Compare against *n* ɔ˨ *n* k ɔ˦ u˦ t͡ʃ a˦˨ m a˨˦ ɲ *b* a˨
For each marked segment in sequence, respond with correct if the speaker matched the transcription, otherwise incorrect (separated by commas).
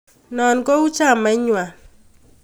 correct, correct, incorrect